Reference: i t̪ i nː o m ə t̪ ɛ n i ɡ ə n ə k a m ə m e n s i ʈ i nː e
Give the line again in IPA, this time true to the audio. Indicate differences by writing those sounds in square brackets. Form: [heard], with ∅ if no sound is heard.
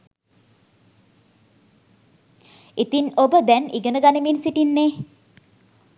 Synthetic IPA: i t̪ i [n] o [b] ə [d̪] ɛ n i ɡ ə n ə [ɡ] a [n] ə m [i] n s i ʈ i nː e